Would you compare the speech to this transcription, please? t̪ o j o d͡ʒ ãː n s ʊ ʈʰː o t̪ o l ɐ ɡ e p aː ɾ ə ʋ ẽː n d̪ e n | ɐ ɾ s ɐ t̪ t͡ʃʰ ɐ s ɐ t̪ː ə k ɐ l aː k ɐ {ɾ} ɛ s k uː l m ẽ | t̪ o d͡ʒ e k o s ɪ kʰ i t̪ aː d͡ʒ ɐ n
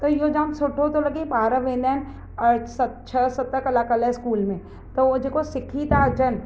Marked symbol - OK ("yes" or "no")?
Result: no